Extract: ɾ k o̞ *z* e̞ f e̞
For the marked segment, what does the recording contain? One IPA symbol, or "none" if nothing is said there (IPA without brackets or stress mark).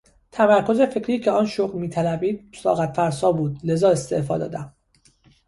z